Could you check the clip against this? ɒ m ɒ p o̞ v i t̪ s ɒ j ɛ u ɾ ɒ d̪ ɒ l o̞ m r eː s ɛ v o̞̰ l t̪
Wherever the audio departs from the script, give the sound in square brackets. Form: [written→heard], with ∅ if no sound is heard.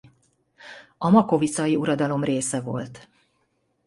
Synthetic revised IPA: ɒ m ɒ [p→k] o̞ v i t̪ s ɒ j [ɛ→i] u ɾ ɒ d̪ ɒ l o̞ m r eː s ɛ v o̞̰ l t̪